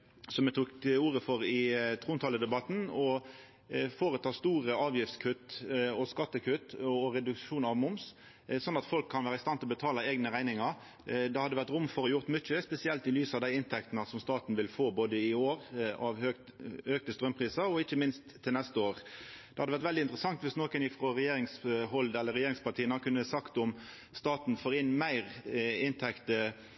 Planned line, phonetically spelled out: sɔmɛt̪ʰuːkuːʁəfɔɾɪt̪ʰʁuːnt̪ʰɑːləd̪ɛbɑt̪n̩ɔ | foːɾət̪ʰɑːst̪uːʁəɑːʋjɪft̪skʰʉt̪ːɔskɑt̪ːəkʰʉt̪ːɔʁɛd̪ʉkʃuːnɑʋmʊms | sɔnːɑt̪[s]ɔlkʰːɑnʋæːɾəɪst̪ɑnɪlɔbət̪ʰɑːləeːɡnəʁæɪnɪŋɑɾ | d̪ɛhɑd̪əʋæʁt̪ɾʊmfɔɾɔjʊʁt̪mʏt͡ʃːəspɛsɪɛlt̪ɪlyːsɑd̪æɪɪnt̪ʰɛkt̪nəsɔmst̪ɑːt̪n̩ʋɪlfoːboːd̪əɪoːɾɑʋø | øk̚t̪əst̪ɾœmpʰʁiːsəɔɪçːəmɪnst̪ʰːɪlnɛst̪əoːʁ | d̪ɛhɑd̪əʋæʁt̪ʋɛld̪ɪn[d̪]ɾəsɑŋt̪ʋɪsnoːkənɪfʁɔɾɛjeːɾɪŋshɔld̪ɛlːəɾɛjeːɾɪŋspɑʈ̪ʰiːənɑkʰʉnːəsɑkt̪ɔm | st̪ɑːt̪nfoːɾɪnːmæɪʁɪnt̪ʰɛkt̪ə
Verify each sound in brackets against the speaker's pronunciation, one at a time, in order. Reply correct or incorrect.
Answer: incorrect: f, incorrect: t̪

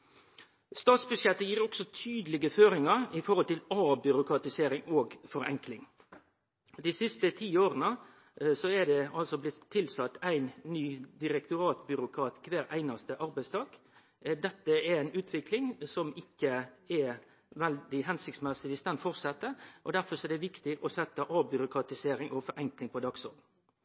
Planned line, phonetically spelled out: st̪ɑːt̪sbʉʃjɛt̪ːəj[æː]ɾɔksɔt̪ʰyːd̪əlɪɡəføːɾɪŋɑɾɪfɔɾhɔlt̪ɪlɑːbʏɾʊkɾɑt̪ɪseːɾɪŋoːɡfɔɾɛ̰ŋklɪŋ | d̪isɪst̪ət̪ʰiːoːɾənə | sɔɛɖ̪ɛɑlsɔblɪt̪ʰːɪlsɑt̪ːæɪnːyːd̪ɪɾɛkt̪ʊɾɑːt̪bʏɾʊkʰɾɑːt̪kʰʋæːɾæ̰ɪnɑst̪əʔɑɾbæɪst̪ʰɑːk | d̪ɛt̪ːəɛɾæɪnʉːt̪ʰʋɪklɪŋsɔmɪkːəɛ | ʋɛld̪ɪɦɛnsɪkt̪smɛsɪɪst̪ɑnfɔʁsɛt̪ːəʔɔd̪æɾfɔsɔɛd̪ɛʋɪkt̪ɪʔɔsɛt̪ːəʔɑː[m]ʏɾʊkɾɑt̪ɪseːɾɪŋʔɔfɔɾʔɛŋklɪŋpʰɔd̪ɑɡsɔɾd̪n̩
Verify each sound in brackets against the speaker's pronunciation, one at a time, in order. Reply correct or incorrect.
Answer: incorrect: iː, incorrect: b

